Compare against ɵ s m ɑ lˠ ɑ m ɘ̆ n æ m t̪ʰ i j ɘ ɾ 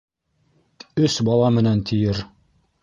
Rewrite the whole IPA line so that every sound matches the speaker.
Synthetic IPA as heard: ɵ s b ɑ lˠ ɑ m ɘ̆ n æ n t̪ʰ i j ɘ ɾ